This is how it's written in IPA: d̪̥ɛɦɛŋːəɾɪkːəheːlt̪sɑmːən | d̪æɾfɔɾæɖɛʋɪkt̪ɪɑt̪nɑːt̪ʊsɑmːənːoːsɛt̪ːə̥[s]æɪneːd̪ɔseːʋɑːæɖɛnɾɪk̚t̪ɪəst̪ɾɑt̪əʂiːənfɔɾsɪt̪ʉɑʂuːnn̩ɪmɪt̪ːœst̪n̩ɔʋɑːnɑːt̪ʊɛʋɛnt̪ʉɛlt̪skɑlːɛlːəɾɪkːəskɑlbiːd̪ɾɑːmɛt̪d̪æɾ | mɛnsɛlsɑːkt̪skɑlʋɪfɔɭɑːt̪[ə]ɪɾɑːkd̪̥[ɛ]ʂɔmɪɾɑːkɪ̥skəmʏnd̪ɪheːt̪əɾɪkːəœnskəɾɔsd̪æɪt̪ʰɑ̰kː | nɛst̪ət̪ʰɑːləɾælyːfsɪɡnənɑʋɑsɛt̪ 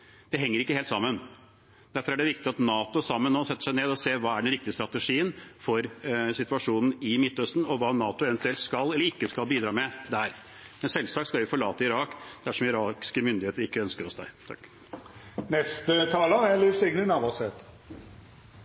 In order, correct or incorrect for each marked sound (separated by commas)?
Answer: incorrect, correct, incorrect